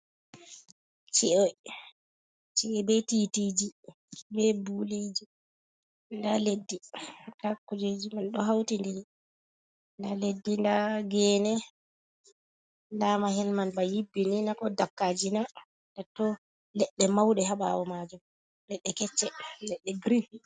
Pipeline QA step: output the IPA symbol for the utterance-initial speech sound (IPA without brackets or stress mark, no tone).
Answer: t͡ʃ